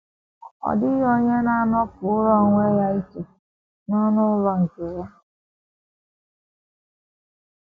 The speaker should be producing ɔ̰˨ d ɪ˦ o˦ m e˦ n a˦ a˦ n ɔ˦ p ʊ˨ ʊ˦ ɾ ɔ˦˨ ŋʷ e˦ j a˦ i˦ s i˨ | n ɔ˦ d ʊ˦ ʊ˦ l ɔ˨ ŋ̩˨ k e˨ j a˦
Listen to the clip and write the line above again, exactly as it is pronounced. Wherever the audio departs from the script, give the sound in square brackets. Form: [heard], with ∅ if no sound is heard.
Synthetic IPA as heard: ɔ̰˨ d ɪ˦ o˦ [ɲ] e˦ n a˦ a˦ n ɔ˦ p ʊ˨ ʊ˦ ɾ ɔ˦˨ ŋʷ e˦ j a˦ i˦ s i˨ | n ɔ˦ [n] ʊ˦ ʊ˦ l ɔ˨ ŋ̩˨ k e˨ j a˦